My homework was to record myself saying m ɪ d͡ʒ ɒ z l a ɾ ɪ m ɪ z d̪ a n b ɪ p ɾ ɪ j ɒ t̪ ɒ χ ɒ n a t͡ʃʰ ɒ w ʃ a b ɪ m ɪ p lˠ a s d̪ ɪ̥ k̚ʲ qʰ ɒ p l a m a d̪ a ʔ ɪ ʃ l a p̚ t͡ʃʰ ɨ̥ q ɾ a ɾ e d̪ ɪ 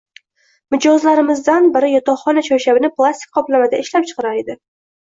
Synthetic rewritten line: m ɪ d͡ʒ ɒ z l a ɾ ɪ m ɪ z d̪ a n b ɪ ɾ ɪ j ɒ t̪ ɒ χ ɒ n a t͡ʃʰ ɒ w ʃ a b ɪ n ɪ p lˠ a s t̪ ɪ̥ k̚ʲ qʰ ɒ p l a m a d̪ a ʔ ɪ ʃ l a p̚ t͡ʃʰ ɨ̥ q ɾ a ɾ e d̪ ɪ